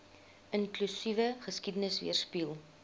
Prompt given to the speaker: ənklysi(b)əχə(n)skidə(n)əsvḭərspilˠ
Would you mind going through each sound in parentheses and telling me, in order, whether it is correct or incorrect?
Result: incorrect: v, incorrect: none, correct

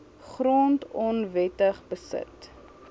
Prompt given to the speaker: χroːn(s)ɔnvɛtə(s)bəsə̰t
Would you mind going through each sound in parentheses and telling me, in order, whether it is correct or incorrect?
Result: incorrect: t, incorrect: χ

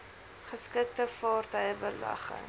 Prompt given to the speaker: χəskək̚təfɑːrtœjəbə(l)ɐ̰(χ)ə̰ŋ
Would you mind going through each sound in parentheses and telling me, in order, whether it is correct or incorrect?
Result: correct, correct

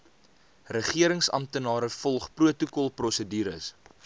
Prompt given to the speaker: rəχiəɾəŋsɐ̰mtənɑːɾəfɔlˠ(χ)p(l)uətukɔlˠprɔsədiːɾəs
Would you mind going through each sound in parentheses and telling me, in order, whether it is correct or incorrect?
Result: correct, incorrect: r

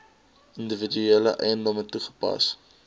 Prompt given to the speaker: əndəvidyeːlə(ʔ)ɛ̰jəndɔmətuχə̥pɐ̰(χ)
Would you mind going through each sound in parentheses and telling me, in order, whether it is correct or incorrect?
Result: correct, incorrect: s

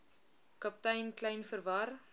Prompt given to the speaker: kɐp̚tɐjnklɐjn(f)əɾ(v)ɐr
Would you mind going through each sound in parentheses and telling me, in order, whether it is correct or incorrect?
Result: correct, correct

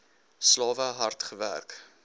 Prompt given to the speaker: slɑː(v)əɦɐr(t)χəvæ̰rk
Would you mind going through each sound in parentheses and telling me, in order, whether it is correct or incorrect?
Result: correct, correct

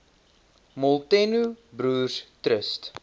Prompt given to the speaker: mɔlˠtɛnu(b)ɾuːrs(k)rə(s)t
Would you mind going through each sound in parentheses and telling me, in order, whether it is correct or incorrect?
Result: correct, incorrect: t, correct

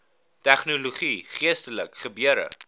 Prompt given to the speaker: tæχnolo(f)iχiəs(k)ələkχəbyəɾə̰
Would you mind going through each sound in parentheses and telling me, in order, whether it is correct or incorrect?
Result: incorrect: χ, incorrect: t

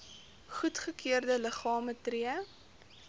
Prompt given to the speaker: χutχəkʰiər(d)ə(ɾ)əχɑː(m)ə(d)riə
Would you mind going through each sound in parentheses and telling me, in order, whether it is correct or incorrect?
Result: correct, incorrect: l, correct, incorrect: t

